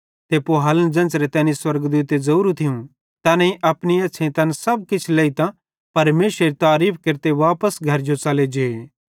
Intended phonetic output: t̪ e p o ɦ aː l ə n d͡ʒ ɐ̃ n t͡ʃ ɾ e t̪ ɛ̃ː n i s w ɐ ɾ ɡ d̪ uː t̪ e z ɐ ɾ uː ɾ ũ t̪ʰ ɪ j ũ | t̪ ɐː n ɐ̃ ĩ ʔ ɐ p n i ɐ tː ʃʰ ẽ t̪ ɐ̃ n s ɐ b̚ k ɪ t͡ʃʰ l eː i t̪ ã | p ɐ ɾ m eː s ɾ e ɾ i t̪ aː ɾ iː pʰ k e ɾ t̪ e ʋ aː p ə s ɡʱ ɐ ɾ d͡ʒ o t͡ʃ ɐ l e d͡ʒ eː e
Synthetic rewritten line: t̪ e p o ɦ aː l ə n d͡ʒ ɐ̃ n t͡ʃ ɾ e t̪ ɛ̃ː n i s w ɐ ɾ ɡ d̪ uː t̪ e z ɐ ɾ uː ɾ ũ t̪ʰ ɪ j ũ | t̪ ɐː n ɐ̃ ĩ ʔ ɐ p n i ɐ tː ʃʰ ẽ t̪ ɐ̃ n s ɐ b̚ k ɪ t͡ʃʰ l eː i t̪ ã | p ɐ ɾ m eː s ɾ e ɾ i t̪ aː ɾ iː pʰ k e ɾ t̪ e ʋ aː p ə s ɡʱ ɐ ɾ d͡ʒ o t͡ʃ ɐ l e d͡ʒ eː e